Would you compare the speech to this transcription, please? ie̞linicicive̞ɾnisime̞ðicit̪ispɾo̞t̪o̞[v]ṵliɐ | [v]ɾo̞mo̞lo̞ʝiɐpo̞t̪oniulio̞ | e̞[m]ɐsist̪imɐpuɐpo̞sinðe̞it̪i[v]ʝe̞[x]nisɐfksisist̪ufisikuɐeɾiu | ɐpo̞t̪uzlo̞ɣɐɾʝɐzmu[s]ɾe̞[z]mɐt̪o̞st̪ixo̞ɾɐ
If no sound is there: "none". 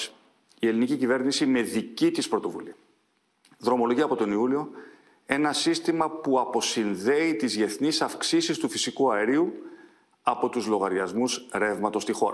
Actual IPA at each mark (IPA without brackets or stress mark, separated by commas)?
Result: v, ð, n, z, θ, s, v